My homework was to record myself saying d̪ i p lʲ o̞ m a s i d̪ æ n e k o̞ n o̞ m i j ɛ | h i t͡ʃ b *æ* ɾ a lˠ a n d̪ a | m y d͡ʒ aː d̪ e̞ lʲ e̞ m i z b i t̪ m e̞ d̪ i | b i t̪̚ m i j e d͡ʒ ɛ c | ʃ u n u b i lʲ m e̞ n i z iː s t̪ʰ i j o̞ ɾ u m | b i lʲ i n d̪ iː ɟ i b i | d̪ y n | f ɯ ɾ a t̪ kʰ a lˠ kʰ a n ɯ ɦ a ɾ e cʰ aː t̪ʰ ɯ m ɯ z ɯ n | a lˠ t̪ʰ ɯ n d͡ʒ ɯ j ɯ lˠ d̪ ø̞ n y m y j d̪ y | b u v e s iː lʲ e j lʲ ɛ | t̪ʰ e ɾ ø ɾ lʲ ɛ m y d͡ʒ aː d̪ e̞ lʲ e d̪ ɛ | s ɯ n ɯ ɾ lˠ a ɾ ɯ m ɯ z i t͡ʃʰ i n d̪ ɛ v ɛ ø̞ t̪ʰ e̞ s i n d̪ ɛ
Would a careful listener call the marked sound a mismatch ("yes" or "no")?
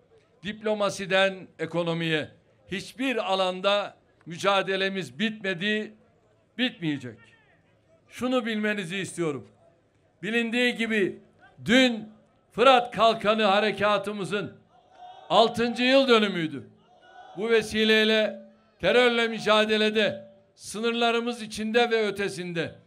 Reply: yes